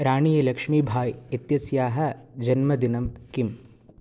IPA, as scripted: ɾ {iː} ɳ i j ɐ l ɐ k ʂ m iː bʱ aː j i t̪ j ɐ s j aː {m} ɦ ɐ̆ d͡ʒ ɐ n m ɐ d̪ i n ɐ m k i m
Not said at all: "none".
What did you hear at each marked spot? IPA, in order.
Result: aː, none

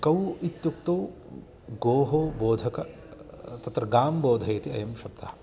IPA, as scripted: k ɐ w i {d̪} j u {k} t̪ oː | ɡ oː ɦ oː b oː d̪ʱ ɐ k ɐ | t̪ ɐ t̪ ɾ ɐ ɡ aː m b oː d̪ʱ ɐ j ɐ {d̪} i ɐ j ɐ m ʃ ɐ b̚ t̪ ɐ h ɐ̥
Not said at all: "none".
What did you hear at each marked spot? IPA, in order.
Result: t̪, k, t̪

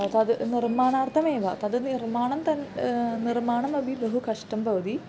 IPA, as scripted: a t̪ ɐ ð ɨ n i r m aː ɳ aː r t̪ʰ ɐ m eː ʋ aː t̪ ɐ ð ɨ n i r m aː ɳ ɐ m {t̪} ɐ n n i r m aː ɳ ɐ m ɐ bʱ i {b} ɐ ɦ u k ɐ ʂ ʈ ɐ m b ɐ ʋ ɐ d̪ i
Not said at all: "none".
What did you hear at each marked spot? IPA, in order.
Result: t̪, b

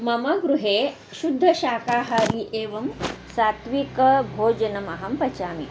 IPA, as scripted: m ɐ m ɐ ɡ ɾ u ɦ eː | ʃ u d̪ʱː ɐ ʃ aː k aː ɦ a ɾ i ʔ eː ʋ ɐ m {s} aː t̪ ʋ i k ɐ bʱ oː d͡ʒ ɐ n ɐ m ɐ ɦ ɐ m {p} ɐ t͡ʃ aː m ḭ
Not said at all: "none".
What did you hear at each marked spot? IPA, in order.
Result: s, p

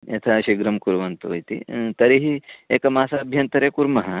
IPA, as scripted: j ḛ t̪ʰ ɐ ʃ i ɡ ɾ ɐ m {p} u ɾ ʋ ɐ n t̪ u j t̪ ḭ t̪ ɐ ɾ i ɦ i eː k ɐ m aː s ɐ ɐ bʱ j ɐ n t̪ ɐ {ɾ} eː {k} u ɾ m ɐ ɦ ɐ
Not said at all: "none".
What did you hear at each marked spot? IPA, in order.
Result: k, ɾ, k

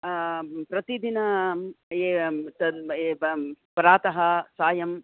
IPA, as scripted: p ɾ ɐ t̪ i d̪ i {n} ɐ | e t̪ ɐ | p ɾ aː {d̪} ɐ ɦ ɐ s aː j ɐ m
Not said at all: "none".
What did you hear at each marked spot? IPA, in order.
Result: n, t̪

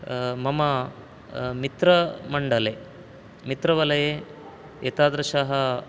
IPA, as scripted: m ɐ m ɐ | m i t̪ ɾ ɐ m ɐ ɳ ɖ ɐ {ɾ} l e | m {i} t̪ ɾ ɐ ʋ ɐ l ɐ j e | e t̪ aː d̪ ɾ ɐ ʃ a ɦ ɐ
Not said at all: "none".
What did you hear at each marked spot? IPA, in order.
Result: none, i

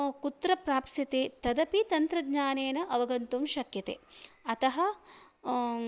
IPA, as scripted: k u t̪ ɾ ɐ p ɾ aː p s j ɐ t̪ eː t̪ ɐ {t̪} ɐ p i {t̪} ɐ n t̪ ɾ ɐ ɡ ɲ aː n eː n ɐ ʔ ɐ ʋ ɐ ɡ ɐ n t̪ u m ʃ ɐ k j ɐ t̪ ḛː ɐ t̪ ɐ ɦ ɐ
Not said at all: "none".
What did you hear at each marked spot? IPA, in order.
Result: d̪, t̪

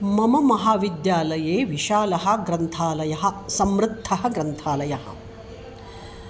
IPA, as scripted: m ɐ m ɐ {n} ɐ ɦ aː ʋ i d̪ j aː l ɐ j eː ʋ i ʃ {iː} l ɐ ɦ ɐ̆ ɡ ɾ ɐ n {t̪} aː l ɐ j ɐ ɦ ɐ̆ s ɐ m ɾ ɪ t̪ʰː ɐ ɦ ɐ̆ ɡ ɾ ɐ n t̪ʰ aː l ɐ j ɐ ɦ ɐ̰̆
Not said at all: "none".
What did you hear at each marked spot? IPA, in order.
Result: m, aː, t̪ʰ

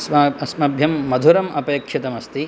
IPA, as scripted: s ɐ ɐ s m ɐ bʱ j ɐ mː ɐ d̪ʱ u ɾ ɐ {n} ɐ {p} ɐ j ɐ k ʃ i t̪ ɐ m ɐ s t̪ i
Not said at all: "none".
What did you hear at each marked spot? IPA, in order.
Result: m, p

